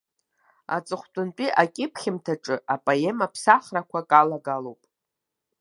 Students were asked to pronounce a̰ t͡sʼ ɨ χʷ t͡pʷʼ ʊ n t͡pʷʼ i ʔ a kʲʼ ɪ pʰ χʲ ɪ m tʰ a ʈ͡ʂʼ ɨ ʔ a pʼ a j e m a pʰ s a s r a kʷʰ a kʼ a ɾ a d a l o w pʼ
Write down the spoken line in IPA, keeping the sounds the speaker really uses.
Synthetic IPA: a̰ t͡sʼ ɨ χʷ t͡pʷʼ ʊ n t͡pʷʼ i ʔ a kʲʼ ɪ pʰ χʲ ɪ m tʰ a ʈ͡ʂʼ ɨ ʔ a pʼ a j e m a pʰ s a χ r a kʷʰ a kʼ a l a ɡ a l o w pʼ